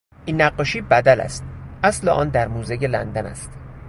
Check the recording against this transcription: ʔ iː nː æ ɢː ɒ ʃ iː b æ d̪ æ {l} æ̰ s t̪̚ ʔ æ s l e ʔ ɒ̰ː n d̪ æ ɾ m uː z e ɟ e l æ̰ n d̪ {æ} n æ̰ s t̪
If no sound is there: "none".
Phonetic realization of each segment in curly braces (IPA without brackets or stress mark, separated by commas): l, æ